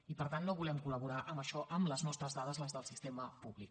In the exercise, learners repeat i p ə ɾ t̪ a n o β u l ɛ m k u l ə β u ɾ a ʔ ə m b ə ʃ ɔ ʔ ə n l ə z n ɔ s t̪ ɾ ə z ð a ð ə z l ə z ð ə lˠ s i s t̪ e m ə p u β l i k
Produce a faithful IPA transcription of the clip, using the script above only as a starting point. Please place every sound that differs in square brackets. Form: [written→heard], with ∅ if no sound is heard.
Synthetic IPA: i p ə ɾ t̪ a [n→nː] o β u l ɛ m k u l ə β u ɾ a ʔ ə m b ə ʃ ɔ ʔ ə [n→m] l ə z n ɔ s t̪ ɾ ə z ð a ð ə z l ə z ð ə lˠ s i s t̪ e m ə p u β l i k

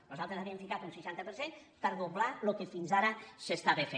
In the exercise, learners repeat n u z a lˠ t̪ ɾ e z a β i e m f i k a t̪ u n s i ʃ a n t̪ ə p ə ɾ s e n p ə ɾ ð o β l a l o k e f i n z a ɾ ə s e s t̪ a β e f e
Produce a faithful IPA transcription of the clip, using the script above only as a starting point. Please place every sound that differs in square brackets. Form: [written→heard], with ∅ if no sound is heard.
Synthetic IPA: n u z a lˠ t̪ ɾ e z a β i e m f i k a t̪ u n s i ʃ a n t̪ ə p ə ɾ s e n p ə ɾ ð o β l a l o k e f i n z a ɾ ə s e s t̪ a β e f e

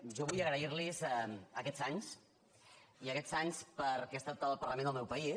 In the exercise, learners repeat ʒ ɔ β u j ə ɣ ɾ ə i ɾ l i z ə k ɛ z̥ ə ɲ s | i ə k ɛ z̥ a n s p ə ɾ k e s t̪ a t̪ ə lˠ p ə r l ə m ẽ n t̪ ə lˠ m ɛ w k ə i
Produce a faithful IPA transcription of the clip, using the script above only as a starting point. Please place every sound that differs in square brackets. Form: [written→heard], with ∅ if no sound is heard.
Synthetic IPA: ʒ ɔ β u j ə ɣ ɾ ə i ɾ l i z ə k ɛ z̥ [ə→a] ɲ s | i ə k ɛ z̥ a [n→ɲ] s p ə ɾ k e s t̪ a t̪ ə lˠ p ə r l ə m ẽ n [t̪→d̪] ə lˠ m ɛ w [k→p] ə i

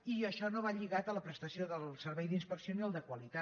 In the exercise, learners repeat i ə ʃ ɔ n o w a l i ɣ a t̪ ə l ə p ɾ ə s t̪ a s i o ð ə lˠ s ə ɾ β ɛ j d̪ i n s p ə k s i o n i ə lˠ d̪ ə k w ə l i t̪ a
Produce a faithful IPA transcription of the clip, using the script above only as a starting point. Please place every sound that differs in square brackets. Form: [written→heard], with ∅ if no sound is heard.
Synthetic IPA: i ə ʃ ɔ n o [w→β] a [l→ʎ] i ɣ a t̪ ə l ə p ɾ ə s t̪ [a→ə] s i o ð ə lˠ s ə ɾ β ɛ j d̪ i n s p ə k s i o n i ə lˠ d̪ ə k w ə l i t̪ a

